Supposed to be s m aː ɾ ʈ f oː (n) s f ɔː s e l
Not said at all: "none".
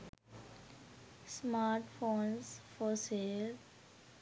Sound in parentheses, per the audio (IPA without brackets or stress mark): n